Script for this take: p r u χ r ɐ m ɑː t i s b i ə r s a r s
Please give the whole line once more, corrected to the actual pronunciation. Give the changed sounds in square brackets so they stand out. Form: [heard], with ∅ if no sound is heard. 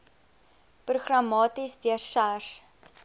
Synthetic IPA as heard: p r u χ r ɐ m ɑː t i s [d] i ə r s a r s

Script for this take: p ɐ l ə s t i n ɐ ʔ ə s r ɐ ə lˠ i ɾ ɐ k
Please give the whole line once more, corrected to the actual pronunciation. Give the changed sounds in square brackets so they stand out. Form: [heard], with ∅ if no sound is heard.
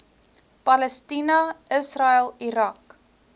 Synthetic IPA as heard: p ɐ l ə s t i n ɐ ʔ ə s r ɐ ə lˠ i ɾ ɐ k

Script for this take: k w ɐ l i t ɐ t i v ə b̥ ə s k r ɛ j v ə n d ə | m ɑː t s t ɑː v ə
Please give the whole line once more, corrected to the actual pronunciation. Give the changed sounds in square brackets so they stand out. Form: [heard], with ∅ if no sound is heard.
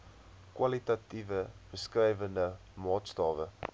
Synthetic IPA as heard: k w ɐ l i t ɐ t i v ə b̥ ə s k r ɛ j v ə n d ə | m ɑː t s t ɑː v ə

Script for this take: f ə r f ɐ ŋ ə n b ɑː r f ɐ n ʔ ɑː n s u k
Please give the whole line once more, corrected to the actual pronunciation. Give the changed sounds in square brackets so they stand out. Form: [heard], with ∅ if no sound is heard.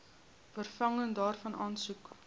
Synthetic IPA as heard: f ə r f ɐ ŋ ə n [d] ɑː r f ɐ n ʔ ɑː n s u k

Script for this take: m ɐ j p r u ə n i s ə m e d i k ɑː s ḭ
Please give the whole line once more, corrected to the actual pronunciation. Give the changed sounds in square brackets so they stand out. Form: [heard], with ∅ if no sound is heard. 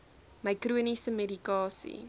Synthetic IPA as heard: m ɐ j [k] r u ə n i s ə m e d i k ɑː s ḭ

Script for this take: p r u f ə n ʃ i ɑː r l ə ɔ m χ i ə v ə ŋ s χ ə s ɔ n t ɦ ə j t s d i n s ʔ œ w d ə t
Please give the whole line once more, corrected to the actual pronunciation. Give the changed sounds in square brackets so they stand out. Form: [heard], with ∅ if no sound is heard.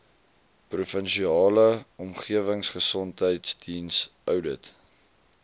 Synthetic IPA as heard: p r u f ə n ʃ i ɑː [∅] l ə ɔ m χ i ə v ə ŋ s χ ə s ɔ n t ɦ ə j t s d i n s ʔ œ w d ə t

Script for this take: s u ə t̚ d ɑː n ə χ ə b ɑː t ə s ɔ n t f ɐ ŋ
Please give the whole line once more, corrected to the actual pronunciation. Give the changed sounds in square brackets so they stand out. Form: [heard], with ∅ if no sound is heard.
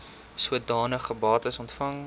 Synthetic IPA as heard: s u ə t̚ d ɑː n ə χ ə b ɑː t ə s ɔ n t f ɐ ŋ

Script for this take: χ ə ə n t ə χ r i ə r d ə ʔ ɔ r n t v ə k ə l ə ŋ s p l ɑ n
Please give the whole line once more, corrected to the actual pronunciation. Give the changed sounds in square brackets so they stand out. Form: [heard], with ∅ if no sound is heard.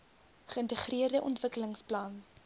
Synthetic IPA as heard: χ ə ə n t ə χ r i ə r d ə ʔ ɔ [∅] n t v ə k ə l ə ŋ s p l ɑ n

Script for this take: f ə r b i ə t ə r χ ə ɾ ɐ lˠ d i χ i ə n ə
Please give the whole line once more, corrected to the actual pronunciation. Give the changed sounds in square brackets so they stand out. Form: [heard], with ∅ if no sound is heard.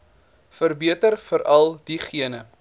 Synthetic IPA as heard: f ə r b i ə t ə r [f] ə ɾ ɐ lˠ d i χ i ə n ə

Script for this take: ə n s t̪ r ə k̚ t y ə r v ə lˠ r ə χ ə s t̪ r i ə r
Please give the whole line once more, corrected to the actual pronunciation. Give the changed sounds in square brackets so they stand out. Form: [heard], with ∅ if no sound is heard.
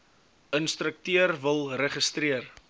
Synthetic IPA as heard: ə n s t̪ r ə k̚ t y ə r v ə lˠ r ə χ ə s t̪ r i ə r

